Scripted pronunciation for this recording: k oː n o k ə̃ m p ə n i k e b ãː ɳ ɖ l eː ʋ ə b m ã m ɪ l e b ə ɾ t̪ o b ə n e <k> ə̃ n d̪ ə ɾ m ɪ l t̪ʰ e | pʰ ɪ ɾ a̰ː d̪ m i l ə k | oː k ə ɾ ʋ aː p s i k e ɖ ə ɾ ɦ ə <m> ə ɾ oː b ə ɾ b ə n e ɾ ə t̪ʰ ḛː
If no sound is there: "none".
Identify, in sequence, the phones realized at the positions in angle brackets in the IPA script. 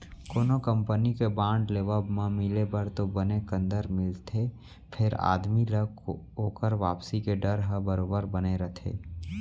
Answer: k, b

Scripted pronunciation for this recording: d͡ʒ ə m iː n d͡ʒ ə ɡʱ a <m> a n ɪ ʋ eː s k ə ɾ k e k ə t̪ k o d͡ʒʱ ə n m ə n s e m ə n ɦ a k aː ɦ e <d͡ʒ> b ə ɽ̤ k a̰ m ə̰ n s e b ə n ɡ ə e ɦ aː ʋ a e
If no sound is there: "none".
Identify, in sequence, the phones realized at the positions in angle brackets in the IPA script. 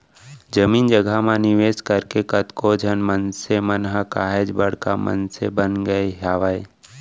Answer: m, d͡ʒ

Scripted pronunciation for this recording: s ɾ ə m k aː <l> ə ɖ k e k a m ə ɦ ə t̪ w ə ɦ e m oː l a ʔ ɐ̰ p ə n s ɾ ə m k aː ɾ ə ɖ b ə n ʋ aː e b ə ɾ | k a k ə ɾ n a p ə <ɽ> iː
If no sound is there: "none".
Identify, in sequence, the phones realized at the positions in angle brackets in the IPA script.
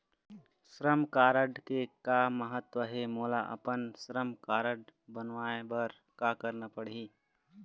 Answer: ɾ, ɽ

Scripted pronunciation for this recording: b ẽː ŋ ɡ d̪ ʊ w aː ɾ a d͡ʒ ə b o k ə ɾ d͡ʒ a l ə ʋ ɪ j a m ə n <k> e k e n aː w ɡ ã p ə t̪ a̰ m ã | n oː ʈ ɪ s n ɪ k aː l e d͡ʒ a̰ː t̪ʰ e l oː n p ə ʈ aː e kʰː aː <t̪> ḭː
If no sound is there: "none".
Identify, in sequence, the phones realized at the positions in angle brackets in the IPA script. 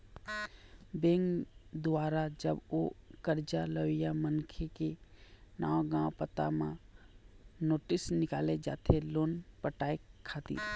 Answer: kʰ, t̪

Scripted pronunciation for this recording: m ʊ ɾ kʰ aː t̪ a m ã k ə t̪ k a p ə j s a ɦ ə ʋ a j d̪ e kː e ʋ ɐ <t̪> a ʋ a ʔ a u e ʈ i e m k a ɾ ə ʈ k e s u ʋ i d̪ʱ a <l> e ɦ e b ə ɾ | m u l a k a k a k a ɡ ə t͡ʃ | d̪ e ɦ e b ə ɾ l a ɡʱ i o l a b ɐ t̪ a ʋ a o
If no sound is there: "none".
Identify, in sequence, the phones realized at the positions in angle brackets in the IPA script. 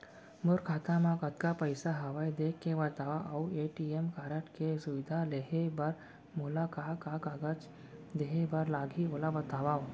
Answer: t̪, l

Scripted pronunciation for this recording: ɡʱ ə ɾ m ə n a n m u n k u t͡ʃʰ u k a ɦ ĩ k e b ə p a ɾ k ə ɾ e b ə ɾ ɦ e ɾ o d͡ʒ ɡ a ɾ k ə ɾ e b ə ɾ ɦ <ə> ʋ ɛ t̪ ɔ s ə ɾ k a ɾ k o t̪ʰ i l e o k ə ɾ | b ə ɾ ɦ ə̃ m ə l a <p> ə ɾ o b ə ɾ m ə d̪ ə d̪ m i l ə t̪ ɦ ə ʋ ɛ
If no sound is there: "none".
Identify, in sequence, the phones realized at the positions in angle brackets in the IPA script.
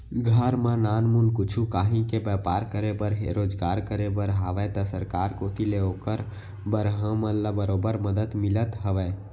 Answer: a, b

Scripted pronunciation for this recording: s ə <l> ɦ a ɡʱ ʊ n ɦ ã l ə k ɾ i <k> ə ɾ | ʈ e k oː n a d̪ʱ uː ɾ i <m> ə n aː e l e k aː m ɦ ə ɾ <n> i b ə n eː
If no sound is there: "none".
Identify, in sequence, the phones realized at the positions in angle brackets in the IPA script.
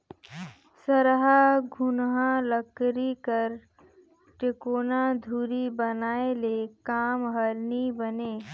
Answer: ɾ, k, b, n

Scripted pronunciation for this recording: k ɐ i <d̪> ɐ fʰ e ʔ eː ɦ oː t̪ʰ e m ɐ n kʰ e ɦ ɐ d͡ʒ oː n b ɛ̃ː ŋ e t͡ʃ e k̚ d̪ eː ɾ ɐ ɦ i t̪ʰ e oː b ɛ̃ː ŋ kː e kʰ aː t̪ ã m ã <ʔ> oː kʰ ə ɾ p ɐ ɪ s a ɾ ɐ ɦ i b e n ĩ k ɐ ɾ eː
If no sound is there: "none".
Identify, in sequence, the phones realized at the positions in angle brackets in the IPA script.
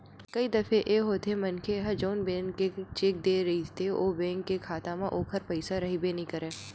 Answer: d̪, ʔ

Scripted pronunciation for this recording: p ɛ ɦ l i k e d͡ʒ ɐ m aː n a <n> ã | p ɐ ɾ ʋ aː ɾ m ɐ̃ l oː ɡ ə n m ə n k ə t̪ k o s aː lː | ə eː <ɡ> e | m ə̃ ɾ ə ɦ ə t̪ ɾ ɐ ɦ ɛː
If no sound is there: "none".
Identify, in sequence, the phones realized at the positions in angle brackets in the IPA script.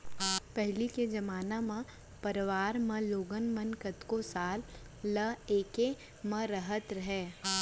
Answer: m, k

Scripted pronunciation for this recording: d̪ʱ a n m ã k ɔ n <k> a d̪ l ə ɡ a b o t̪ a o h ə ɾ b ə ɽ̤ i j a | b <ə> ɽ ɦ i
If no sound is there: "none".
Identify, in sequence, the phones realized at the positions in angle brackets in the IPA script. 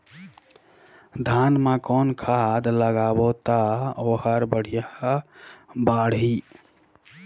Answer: kʰ, a

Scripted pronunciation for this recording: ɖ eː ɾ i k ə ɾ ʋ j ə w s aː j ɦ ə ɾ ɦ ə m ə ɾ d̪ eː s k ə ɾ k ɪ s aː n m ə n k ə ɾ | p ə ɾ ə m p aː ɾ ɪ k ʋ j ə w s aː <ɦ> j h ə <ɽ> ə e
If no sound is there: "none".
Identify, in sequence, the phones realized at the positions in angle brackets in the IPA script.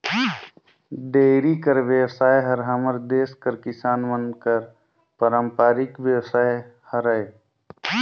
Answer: none, ɾ

